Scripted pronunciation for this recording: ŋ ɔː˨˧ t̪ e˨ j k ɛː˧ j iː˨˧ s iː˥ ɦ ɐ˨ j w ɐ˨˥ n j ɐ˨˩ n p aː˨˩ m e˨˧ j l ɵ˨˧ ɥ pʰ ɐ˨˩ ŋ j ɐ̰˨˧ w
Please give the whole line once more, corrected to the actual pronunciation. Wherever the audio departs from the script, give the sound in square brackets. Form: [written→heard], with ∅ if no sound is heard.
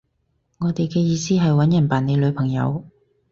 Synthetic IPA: ŋ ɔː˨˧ t̪ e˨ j k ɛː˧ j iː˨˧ s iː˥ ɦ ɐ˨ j w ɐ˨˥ n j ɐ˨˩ n p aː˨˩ [m→n] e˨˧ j l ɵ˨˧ ɥ pʰ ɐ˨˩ ŋ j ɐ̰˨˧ w

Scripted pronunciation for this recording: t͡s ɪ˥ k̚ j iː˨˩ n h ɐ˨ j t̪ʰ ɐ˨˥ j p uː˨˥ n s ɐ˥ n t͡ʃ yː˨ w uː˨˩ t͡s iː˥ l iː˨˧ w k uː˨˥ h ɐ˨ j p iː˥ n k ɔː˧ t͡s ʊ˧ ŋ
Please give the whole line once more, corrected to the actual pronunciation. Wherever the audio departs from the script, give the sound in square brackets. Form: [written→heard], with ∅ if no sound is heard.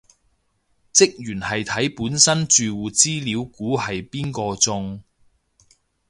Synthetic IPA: t͡s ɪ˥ k̚ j [iː˨˩→yː˨˩] n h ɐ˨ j t̪ʰ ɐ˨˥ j p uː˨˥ n s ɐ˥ n t͡ʃ yː˨ w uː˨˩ t͡s iː˥ l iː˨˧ w k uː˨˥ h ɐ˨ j p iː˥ n k ɔː˧ t͡s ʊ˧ ŋ

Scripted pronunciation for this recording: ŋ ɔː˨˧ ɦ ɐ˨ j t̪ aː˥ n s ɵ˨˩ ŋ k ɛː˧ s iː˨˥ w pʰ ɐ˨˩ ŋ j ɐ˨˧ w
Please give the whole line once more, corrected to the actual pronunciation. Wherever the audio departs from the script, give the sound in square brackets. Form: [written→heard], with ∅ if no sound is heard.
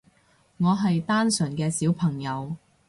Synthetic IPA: ŋ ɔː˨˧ ɦ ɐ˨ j t̪ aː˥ n s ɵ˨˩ [ŋ→n] k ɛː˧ s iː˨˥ w pʰ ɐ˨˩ ŋ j ɐ˨˧ w

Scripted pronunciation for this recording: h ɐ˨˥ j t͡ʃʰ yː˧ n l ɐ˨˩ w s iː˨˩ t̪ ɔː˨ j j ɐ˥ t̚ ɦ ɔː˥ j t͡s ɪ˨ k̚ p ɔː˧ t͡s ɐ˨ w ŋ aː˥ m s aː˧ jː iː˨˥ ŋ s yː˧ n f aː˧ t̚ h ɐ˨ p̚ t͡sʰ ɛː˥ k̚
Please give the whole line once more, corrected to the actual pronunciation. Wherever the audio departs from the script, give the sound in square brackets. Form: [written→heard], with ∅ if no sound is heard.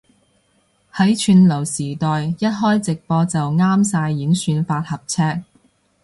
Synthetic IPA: h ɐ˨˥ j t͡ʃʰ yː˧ n l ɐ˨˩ w s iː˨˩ t̪ ɔː˨ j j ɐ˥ t̚ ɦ ɔː˥ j t͡s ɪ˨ k̚ p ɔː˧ t͡s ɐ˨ w ŋ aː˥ m s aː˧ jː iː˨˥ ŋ s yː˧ n f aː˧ t̚ h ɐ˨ p̚ t͡sʰ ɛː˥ k̚

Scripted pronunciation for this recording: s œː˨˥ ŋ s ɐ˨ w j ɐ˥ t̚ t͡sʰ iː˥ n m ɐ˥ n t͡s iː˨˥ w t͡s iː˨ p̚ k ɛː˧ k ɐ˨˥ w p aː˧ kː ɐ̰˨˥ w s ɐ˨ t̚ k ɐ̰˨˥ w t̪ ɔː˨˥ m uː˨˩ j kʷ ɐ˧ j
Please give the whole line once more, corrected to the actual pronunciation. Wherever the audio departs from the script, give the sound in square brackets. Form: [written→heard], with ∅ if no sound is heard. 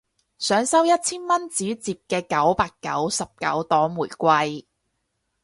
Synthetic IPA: s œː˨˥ ŋ s [ɐ˨→ɐ˥] w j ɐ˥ t̚ t͡sʰ iː˥ n m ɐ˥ n t͡s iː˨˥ [w→∅] t͡s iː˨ p̚ k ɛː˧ k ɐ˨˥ w p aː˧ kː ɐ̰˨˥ w s ɐ˨ [t̚→p̚] k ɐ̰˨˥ w t̪ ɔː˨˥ m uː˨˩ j kʷ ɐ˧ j

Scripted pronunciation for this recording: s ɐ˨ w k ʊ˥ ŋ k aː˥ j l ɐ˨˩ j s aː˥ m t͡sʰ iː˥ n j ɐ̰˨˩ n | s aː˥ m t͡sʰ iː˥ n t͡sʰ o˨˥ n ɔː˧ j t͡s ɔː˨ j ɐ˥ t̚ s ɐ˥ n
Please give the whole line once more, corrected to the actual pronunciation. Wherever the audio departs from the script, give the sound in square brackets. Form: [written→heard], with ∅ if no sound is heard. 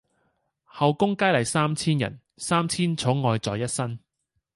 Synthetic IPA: [s→h] ɐ˨ w k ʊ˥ ŋ k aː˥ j l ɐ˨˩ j s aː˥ m t͡sʰ iː˥ n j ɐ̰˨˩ n | s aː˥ m t͡sʰ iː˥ n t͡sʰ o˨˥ [n→ŋ] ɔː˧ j t͡s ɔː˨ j ɐ˥ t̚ s ɐ˥ n

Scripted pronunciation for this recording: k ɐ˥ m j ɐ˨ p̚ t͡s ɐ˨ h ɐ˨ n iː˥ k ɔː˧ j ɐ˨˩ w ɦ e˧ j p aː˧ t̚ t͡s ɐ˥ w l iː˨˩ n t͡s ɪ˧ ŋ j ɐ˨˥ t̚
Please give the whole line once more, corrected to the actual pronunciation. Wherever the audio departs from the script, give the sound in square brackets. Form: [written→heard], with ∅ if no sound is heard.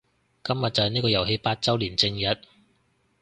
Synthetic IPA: k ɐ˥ m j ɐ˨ [p̚→t̚] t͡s ɐ˨ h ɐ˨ n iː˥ k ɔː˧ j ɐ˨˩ w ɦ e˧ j p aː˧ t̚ t͡s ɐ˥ w l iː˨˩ n t͡s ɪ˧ ŋ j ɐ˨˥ t̚

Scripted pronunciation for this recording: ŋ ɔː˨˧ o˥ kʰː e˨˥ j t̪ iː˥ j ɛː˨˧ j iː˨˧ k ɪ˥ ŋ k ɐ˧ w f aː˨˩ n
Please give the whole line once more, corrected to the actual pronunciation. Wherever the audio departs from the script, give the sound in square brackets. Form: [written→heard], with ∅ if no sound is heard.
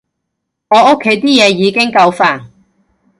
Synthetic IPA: ŋ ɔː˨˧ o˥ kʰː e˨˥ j t̪ iː˥ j ɛː˨˧ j iː˨˧ k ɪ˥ ŋ k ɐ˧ w f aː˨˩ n

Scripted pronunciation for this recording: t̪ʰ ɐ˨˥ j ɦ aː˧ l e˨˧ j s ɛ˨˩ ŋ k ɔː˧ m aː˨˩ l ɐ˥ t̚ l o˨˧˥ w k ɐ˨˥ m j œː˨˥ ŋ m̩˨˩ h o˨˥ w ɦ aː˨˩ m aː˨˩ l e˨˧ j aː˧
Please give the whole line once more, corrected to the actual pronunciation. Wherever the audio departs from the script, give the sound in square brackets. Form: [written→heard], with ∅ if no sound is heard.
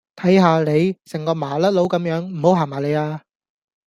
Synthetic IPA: t̪ʰ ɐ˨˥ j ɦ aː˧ l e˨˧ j s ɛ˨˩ ŋ k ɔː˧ m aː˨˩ l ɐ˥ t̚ l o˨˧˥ w k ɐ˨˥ m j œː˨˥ ŋ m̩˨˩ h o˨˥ w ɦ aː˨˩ m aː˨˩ l e˨˧ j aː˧

